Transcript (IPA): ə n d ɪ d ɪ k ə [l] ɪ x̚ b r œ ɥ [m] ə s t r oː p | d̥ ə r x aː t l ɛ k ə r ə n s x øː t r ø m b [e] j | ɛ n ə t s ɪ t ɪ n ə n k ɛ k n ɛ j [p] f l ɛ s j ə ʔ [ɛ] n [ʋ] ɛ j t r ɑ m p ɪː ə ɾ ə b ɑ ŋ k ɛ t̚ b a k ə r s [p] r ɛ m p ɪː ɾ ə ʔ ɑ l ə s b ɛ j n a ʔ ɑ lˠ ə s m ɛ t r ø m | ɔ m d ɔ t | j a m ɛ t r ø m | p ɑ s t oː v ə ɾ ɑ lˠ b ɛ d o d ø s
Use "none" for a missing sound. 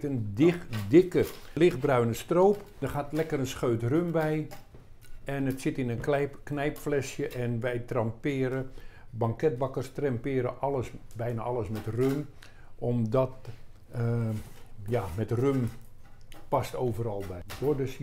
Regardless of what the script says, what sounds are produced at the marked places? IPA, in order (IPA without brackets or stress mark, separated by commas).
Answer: l, n, ɛ, p, ɛ, ʋ, t